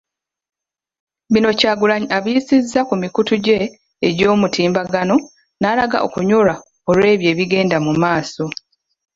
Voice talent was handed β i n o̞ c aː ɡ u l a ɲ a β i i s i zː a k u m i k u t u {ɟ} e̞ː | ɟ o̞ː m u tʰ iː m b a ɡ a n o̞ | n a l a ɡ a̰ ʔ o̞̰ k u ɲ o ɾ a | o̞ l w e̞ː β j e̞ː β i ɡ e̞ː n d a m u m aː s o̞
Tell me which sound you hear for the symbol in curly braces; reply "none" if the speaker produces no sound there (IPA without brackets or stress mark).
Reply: ɟ